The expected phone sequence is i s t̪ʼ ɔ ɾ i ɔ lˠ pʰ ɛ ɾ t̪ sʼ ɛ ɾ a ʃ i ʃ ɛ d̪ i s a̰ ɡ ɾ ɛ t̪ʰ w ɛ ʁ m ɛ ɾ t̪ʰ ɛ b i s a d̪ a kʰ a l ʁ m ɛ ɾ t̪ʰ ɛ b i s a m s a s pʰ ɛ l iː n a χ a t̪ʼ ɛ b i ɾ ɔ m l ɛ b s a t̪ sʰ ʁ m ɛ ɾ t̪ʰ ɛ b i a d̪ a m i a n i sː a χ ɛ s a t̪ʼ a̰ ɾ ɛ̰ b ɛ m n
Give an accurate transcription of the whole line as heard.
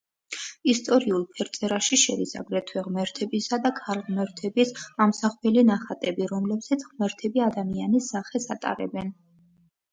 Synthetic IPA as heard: i s t̪ʼ ɔ ɾ i u lˠ pʰ ɛ ɾ t̪ sʼ ɛ ɾ a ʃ i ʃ ɛ d̪ i s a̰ ɡ ɾ ɛ t̪ʰ w ɛ ʁ m ɛ ɾ t̪ʰ ɛ b i s a d̪ a kʰ a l ʁ m ɛ ɾ t̪ʰ ɛ b i s a m s a χ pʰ ɛ l i n a χ a t̪ʼ ɛ b i ɾ ɔ m l ɛ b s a t̪ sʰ ʁ m ɛ ɾ t̪ʰ ɛ b i a d̪ a m i a n i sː a χ ɛ s a t̪ʼ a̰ ɾ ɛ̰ b ɛ n